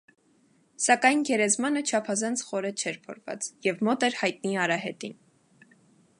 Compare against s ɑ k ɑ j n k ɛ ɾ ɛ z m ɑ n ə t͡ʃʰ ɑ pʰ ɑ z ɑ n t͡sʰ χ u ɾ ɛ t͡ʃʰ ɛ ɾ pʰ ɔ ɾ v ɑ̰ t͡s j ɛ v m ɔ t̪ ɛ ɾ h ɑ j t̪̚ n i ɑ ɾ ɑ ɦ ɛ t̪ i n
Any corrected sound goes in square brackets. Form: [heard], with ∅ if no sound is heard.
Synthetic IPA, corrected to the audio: s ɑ k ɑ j n [ɡ] ɛ ɾ ɛ z m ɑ n ə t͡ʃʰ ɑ pʰ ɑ z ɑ n t͡sʰ χ [ɔ] ɾ ɛ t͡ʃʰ ɛ ɾ pʰ ɔ ɾ v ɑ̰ t͡s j ɛ v m ɔ t̪ ɛ ɾ h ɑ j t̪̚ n i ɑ ɾ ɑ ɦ ɛ t̪ i n